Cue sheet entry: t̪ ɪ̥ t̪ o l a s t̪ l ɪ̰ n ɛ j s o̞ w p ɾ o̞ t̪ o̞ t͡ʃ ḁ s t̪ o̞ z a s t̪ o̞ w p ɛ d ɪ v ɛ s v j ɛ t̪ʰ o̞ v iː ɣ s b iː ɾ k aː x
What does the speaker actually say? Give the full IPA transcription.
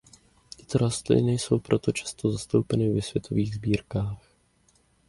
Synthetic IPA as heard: t̪ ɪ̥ t̪ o ɾ a s t̪ l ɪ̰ n ɛ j s o̞ w p ɾ o̞ t̪ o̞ t͡ʃ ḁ s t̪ o̞ z a s t̪ o̞ w p ɛ n ɪ v ɛ s v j ɛ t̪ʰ o̞ v iː ɣ z b iː ɾ k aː x